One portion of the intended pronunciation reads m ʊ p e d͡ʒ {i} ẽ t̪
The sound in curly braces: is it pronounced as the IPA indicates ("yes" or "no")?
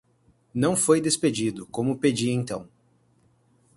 yes